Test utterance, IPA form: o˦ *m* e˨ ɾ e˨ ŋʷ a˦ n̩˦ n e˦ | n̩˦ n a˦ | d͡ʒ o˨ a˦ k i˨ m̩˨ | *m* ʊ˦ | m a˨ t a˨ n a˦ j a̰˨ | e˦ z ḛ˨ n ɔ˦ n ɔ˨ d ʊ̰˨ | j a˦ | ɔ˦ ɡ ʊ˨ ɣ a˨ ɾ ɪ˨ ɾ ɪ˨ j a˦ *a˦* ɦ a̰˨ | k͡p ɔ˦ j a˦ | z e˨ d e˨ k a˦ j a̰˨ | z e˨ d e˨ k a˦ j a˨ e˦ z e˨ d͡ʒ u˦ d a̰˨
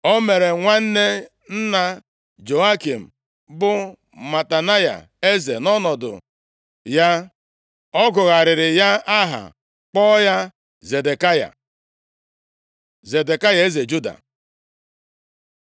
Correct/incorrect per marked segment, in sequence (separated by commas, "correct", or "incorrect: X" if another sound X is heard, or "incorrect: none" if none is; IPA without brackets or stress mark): correct, incorrect: b, correct